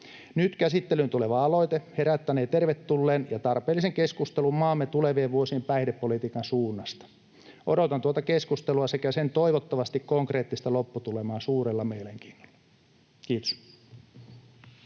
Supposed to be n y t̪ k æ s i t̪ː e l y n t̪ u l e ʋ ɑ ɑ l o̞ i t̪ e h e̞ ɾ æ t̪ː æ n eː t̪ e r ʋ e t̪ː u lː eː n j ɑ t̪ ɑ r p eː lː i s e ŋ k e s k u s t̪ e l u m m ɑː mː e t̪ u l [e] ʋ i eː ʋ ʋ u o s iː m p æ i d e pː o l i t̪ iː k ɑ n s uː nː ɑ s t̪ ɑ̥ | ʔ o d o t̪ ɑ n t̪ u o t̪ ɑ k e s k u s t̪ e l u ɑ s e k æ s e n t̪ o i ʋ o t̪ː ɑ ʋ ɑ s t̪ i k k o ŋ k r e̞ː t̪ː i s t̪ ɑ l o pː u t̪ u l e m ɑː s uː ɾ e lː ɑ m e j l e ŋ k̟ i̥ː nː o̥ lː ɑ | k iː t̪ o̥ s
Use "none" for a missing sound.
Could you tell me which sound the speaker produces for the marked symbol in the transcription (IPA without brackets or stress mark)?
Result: e